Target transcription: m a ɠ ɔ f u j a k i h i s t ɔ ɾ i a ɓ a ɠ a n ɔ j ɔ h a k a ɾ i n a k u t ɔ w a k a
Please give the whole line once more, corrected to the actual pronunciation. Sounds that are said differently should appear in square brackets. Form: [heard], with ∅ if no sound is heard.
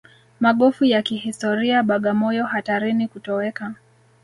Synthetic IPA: m a ɠ ɔ f u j a k i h i s t ɔ ɾ i a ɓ a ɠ a [m] ɔ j ɔ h a [t] a ɾ i n [i] k u t ɔ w [ɛ] k a